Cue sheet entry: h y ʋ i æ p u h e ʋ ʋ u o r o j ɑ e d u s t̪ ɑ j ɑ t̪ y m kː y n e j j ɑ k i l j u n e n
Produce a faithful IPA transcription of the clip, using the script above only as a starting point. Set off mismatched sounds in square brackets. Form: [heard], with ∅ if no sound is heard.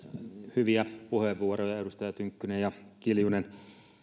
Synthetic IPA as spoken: h y ʋ i æ p u h e ʋ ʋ u o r o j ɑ e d u s t̪ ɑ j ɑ t̪ y [ŋ] kː y n e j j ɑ k i l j u n e n